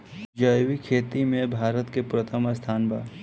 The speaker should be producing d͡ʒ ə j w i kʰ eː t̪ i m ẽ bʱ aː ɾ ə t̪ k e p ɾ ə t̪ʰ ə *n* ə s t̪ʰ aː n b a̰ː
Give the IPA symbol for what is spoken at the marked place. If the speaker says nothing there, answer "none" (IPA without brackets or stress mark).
m